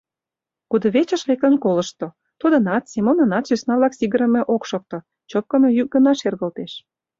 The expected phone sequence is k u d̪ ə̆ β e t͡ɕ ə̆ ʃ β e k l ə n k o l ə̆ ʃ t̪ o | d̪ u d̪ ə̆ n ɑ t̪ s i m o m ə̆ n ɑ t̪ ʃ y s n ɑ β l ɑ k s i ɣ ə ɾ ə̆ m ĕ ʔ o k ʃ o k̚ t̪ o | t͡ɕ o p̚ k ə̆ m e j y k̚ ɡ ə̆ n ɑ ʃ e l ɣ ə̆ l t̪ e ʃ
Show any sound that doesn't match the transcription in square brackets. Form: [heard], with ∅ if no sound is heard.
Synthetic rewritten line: k u d̪ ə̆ β e t͡ɕ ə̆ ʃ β e k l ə n k o l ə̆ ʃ t̪ o | [t̪] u d̪ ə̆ n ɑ t̪ s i m o [n] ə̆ n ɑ t̪ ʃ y s n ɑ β l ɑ k s i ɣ ə ɾ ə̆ m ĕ ʔ o k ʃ o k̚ t̪ o | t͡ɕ o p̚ k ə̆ m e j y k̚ ɡ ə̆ n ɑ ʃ e [r] ɣ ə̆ l t̪ e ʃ

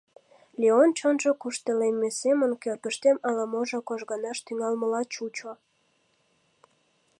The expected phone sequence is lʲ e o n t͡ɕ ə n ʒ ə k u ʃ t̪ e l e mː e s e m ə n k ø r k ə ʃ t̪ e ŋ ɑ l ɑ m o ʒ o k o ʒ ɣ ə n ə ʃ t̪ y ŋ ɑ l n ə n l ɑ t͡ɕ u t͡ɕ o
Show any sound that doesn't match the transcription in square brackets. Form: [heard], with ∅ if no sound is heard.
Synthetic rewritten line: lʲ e o n t͡ɕ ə n ʒ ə k u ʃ t̪ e l e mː e s e m ə n k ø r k ə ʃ t̪ e [m] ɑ l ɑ m o ʒ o k o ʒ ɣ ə n [ɑ] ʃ t̪ y ŋ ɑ l [m] ə [∅] l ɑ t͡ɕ u t͡ɕ o

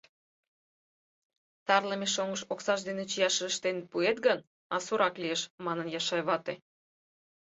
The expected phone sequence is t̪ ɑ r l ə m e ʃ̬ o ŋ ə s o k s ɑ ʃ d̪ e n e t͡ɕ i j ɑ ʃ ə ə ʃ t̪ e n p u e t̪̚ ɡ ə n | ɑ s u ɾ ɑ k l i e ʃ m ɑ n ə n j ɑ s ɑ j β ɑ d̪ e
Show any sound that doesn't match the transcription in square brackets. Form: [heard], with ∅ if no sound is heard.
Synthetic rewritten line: t̪ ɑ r l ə m e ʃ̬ o ŋ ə [ʃ] o k s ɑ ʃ d̪ e n e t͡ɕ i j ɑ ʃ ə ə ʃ t̪ e n p u e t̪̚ ɡ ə n | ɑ s u ɾ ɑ k l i e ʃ m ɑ n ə n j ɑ [ʃ] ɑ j β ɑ [t̪] e

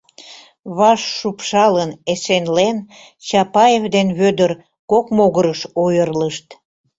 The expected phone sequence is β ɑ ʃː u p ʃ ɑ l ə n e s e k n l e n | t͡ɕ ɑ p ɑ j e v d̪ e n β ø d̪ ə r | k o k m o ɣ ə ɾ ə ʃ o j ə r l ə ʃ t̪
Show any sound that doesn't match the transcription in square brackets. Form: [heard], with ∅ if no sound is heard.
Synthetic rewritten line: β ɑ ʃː u p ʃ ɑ l ə n e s e [∅] n l e n | t͡ɕ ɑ p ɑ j e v d̪ e n β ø d̪ ə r | k o k m o ɣ ə ɾ ə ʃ o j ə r l ə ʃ t̪

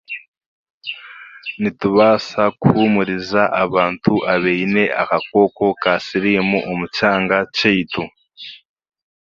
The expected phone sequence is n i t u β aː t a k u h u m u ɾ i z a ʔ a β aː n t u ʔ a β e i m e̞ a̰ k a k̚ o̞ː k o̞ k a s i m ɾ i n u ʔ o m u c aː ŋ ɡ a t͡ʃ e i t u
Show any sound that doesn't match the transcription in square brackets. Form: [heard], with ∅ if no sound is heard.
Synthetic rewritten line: n i t u β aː [s] a k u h u m u ɾ i z a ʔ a β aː n t u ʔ a β e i [n] e̞ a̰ k a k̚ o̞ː k o̞ k a s i [∅] ɾ i [m] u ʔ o m u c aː ŋ ɡ a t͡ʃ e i t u

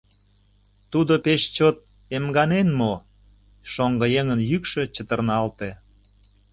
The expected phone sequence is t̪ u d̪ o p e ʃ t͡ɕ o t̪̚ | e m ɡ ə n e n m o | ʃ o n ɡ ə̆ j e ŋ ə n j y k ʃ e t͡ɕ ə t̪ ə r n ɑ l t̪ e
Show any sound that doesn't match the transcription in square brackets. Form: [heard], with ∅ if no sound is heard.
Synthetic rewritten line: t̪ u d̪ o p e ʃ t͡ɕ o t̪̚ | e m ɡ [ɑ] n e n m o | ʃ o [ŋ] ɡ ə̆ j e ŋ ə n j y k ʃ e t͡ɕ ə t̪ ə r n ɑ l t̪ e

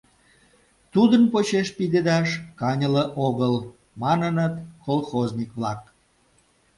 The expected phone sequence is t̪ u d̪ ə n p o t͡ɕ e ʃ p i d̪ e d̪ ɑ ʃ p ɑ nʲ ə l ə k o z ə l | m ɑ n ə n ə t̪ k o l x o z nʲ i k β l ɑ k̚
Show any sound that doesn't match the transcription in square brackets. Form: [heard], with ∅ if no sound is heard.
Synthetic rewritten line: t̪ u d̪ ə n p o t͡ɕ e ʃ p i d̪ e d̪ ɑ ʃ [k] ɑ nʲ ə l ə [ʔ] o [ɣ] ə l | m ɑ n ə n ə t̪ k o l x o z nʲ i k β l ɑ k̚

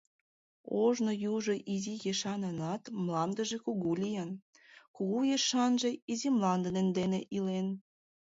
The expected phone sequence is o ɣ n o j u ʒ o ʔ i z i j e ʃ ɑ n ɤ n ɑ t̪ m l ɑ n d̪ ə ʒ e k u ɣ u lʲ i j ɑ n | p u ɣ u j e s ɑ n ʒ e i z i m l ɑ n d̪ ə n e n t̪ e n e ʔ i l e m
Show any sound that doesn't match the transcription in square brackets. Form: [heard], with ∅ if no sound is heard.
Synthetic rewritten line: o [ʒ] n o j u ʒ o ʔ i z i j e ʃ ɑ n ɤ n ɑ t̪ m l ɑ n d̪ ə ʒ e k u ɣ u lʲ i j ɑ n | [k] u ɣ u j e [ʃ] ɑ n ʒ e i z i m l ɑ n d̪ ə n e n [d̪] e n e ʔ i l e [n]

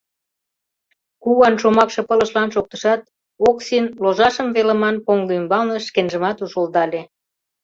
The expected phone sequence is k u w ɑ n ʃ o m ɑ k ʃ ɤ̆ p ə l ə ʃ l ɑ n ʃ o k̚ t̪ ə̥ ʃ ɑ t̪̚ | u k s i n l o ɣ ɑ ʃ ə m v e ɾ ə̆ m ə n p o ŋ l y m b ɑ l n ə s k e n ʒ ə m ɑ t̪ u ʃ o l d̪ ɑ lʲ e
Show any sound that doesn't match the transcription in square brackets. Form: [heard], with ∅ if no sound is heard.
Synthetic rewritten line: k u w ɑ n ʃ o m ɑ k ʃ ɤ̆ p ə l ə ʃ l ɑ n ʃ o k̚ t̪ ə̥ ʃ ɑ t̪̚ | [o] k s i n l o [ʒ] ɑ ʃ ə m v e [l] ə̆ m [ɑ] n p o ŋ l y m b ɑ l n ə [ʃ] k e n ʒ ə m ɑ t̪ u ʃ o l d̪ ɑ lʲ e

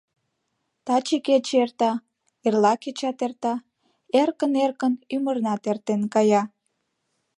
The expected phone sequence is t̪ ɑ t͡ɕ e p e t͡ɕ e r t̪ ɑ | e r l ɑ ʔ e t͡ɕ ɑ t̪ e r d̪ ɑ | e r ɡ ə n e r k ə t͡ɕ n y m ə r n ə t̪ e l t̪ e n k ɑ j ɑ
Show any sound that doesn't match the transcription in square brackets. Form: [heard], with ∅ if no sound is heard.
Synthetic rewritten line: t̪ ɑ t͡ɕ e [k] e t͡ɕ e r t̪ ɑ | e r l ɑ [k] e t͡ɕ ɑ t̪ e r [t̪] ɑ | e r [k] ə n e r k ə [∅] n y m ə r n [ɑ] t̪ e [r] t̪ e n k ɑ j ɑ

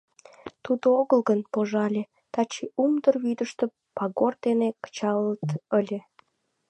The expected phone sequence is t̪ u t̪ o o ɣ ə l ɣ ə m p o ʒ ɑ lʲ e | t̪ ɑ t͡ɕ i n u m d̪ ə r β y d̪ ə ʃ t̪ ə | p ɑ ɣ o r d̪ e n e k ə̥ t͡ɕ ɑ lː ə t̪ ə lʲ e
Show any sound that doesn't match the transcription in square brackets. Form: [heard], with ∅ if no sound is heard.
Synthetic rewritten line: t̪ u [d̪] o o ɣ ə l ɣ ə [n] p o ʒ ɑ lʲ e | t̪ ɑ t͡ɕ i [∅] u m d̪ ə r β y d̪ ə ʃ t̪ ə | p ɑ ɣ o r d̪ e n e k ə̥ t͡ɕ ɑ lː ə t̪ ə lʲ e

